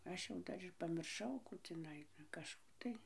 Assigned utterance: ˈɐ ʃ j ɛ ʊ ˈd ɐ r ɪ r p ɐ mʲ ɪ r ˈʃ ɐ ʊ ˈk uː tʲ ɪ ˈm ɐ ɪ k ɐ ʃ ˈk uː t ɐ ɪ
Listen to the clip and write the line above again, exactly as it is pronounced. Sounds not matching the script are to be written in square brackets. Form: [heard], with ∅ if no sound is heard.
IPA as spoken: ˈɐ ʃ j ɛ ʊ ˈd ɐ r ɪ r p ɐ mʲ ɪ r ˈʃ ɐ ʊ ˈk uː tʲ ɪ [ˈn] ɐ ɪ k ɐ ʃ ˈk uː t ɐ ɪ